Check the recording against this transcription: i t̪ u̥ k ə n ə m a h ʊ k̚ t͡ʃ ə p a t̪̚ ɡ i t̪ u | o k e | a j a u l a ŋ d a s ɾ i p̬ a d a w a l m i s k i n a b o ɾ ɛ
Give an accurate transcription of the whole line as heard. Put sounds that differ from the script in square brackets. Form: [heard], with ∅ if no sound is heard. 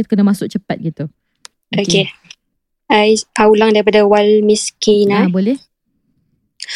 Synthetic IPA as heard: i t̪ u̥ k ə n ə m a [s] ʊ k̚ t͡ʃ ə p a t̪̚ ɡ i t̪ u | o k e | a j a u l a ŋ d a [∅] ɾ i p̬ a d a w a l m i s k i n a b o [l] ɛ